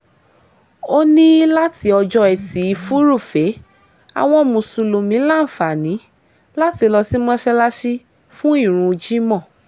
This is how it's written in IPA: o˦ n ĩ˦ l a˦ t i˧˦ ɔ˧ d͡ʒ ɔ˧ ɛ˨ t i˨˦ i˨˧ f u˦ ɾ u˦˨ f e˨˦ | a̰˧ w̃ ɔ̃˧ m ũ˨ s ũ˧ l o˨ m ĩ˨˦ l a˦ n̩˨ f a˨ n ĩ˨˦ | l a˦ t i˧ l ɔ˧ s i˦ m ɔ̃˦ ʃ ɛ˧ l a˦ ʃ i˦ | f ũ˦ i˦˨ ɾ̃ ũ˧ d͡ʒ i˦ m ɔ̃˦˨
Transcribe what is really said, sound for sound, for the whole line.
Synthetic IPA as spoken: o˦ n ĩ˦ l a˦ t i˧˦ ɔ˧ d͡ʒ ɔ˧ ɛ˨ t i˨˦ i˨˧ f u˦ ɾ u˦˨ f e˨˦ | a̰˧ w̃ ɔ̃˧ m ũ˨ s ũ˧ l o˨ m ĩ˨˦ l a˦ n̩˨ f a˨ n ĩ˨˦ | l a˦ t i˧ l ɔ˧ s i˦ m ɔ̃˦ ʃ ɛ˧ l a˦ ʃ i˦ | f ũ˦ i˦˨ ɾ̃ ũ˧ d͡ʒ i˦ m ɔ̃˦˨